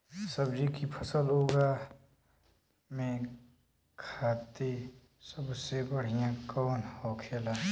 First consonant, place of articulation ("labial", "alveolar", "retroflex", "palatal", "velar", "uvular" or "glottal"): alveolar